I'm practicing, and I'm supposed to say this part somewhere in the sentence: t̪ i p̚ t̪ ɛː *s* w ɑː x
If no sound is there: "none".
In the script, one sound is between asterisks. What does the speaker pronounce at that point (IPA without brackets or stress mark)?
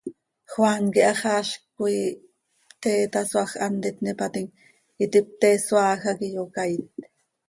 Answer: s